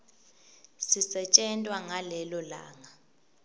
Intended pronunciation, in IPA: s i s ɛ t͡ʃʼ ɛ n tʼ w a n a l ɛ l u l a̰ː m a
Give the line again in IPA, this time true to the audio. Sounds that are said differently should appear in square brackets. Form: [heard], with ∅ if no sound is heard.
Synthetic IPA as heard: s i s ɛ t͡ʃʼ ɛ n tʼ w a [ŋ] a l ɛ l [ɔ] l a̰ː [ŋ] a